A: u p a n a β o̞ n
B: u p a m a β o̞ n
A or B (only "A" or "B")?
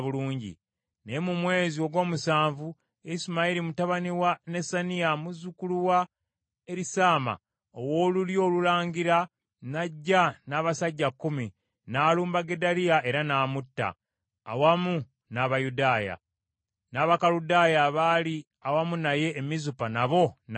A